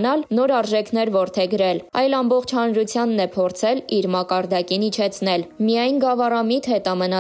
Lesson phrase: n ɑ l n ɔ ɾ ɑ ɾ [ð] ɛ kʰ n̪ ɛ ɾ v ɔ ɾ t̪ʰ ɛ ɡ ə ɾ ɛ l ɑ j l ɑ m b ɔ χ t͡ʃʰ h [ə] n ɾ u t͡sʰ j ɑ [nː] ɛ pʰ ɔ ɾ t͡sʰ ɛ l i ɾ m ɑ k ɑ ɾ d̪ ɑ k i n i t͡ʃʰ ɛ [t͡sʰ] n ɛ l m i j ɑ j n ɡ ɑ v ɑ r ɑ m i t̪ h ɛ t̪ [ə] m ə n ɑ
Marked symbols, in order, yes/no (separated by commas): no, no, yes, yes, no